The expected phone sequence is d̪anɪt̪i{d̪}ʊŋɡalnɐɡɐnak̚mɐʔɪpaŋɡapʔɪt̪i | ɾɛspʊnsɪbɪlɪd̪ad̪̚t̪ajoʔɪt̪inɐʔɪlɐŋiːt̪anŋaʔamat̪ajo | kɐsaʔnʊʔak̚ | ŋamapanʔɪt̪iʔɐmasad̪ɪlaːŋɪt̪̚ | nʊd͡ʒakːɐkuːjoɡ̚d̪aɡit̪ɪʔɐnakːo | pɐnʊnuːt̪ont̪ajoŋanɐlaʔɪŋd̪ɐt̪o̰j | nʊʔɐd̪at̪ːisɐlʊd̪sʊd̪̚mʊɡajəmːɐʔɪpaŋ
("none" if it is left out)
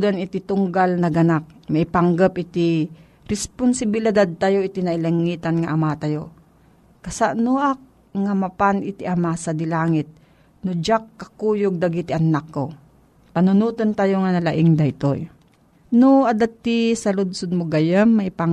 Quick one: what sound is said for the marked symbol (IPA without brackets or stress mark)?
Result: t̪